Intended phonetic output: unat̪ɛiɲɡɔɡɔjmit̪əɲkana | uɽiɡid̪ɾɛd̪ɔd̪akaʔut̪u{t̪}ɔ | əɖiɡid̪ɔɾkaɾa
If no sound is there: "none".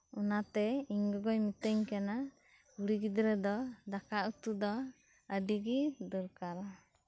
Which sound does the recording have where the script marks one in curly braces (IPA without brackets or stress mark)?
d̪